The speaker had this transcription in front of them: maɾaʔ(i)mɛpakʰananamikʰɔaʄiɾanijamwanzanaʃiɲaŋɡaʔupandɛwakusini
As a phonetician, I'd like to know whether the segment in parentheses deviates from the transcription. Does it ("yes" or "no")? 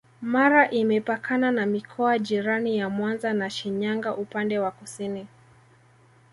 no